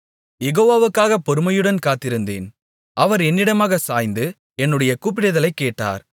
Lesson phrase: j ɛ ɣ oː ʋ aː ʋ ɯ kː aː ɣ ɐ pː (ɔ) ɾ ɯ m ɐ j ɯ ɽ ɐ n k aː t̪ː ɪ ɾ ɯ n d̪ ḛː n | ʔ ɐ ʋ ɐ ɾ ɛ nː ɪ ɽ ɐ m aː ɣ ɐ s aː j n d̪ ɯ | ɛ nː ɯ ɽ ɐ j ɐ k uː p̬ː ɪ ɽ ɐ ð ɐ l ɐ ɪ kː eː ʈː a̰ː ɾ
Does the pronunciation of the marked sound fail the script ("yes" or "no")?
no